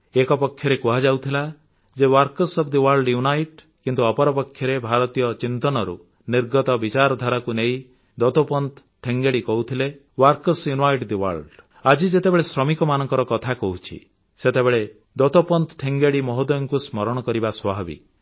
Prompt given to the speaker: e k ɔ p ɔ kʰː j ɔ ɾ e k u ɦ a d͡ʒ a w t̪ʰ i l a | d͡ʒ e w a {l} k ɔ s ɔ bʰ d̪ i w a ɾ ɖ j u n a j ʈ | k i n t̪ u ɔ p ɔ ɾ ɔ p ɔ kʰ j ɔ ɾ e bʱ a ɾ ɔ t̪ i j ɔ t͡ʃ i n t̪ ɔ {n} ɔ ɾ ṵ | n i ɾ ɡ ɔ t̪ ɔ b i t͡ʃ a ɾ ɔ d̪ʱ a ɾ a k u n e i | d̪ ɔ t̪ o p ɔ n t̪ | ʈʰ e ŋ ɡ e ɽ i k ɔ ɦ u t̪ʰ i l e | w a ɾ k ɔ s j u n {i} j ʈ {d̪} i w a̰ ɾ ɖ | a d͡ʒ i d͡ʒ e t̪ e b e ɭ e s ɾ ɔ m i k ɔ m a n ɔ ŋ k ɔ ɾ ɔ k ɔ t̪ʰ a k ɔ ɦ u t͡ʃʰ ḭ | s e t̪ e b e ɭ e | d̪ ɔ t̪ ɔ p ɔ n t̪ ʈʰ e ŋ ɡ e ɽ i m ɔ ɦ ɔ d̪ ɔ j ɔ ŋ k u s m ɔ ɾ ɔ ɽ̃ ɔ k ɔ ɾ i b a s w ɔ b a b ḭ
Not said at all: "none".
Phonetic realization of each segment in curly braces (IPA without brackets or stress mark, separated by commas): ɾ, n, a, d̪